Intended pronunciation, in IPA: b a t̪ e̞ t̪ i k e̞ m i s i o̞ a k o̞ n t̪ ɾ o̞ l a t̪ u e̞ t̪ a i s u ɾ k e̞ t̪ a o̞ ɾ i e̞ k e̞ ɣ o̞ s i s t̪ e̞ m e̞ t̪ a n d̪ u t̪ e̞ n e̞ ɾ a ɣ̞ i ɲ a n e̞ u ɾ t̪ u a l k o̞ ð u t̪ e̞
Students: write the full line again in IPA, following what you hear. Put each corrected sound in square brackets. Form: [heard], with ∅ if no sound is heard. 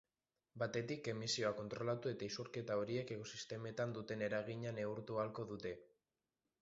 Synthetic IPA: b a t̪ e̞ t̪ i k e̞ m i s i o̞ a k o̞ n t̪ ɾ o̞ l a t̪ u e̞ t̪ a i s u ɾ k e̞ t̪ a o̞ ɾ i e̞ k e̞ ɣ o̞ s i s t̪ e̞ m e̞ t̪ a n d̪ u t̪ e̞ n e̞ ɾ a ɣ̞ i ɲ a n e̞ u ɾ t̪ u a l k o̞ ð u t̪ e̞